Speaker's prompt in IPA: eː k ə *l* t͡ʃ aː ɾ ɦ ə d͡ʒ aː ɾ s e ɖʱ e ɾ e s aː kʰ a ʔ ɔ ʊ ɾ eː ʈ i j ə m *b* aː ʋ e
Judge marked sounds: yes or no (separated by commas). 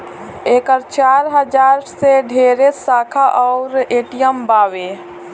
no, yes